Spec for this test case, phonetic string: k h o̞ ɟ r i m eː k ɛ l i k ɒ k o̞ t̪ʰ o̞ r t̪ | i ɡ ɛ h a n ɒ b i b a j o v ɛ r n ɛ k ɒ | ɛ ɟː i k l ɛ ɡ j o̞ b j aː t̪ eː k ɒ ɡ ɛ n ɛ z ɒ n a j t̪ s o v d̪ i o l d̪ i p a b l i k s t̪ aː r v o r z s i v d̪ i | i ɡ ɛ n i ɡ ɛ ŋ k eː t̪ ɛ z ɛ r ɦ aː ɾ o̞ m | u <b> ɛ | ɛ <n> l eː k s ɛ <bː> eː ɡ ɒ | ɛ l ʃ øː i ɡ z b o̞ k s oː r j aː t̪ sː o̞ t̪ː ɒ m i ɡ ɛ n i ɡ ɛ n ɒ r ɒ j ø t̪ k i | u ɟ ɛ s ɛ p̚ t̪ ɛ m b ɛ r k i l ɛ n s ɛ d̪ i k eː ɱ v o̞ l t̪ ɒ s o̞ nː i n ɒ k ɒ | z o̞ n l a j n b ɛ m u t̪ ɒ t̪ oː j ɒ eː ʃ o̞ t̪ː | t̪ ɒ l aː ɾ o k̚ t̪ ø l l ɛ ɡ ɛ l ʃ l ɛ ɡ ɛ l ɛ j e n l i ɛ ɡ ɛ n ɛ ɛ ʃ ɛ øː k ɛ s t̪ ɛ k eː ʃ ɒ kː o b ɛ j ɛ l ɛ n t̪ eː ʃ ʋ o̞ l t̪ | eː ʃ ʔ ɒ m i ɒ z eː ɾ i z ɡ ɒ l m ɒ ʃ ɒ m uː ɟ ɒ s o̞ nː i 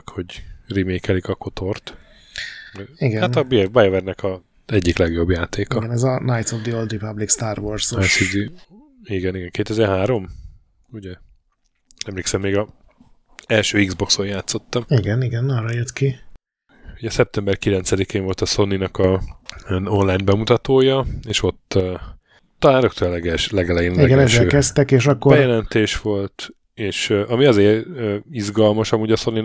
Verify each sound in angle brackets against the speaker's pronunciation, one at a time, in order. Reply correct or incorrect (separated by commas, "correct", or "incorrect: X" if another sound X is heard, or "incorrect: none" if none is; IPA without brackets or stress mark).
incorrect: ɟ, incorrect: m, incorrect: mː